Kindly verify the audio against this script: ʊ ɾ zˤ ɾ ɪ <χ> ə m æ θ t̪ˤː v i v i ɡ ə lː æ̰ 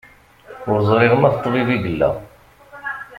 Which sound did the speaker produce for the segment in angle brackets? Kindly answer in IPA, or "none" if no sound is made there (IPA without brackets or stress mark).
ʁ